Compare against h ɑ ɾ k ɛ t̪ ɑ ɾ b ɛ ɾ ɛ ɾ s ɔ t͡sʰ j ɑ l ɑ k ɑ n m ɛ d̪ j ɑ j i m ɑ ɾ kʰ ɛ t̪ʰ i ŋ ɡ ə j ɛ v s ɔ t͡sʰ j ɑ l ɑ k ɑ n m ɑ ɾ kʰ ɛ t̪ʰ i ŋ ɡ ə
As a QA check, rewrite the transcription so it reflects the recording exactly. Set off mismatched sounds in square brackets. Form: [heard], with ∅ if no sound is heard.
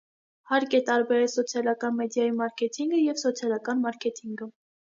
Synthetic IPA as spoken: h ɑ ɾ k ɛ t̪ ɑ ɾ b ɛ ɾ ɛ [l] s ɔ t͡sʰ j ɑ l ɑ k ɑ n m ɛ d̪ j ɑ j i m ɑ ɾ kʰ ɛ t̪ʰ i ŋ ɡ ə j ɛ v s ɔ t͡sʰ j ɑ l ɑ k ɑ n m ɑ ɾ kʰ ɛ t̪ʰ i ŋ ɡ ə